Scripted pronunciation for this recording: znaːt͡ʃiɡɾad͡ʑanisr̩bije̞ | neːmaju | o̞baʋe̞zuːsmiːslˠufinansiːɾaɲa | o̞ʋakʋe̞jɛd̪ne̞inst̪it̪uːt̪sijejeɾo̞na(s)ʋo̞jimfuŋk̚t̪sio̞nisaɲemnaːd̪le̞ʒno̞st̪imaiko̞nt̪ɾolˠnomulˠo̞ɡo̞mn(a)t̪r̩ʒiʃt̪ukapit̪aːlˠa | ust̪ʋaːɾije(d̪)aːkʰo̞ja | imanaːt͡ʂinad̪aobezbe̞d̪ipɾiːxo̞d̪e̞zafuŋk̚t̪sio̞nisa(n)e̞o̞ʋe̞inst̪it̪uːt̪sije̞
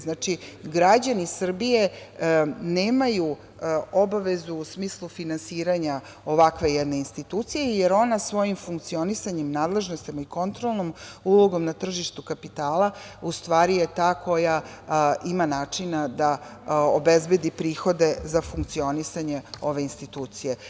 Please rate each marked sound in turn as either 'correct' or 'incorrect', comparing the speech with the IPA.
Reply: correct, correct, incorrect: t̪, incorrect: ɲ

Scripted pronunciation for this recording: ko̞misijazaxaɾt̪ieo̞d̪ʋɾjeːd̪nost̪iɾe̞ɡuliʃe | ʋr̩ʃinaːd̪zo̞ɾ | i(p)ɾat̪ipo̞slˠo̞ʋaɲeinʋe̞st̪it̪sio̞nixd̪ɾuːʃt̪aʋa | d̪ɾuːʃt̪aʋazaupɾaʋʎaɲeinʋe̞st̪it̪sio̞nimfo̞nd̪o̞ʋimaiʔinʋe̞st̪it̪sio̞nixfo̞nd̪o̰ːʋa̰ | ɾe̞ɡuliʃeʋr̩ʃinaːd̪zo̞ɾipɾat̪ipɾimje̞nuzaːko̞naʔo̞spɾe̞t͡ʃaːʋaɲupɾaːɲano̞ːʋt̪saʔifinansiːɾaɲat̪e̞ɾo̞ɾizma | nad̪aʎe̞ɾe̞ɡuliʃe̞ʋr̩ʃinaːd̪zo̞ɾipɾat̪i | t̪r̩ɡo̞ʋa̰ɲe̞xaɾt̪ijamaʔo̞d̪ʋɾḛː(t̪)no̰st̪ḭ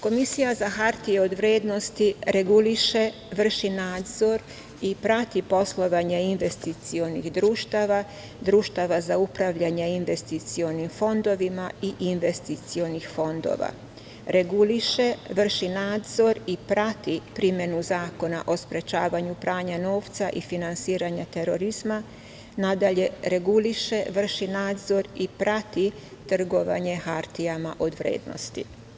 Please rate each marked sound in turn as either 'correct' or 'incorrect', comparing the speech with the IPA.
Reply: correct, incorrect: d̪

